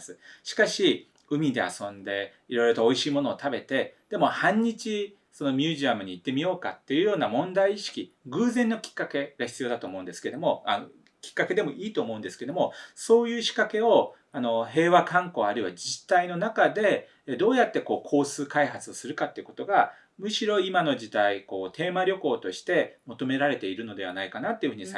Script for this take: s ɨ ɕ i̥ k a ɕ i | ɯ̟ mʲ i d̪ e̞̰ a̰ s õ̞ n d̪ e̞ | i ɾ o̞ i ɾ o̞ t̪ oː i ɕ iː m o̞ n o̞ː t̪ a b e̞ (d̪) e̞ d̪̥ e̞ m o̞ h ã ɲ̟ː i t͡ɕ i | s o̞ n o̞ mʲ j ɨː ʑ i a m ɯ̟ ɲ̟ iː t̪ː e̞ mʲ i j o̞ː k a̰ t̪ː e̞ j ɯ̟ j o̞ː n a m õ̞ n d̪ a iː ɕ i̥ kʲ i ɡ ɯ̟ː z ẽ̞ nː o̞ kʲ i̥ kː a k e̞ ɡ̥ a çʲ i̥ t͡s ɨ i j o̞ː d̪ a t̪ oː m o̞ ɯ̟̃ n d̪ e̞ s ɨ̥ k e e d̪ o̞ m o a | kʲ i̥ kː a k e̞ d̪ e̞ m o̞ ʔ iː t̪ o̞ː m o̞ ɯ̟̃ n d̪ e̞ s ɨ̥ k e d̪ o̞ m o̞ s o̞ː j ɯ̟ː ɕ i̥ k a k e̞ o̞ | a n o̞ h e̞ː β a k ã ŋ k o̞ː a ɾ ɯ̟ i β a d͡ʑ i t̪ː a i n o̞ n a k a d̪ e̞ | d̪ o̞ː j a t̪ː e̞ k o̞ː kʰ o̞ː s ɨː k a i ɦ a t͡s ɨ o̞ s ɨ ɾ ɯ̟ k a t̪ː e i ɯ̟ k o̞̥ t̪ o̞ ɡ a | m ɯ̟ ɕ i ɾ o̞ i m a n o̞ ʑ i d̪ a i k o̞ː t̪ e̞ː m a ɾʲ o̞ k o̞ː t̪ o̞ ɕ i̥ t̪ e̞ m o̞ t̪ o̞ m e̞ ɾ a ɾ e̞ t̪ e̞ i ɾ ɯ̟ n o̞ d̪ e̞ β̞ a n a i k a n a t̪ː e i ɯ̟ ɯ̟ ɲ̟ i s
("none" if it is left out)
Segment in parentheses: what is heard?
t̪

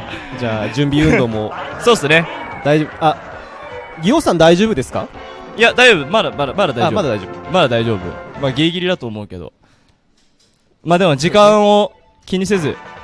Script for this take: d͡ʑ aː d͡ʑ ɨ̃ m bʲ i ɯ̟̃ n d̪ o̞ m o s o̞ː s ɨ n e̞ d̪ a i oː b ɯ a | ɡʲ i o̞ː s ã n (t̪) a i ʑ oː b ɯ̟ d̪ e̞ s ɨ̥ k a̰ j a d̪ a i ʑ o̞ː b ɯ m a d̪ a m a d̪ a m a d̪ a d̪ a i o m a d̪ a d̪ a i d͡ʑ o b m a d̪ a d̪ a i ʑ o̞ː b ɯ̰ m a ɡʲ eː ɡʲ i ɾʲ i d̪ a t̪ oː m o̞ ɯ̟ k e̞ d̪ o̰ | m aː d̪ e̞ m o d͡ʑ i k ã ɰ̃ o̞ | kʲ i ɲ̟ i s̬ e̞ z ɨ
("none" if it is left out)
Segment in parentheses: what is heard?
d̪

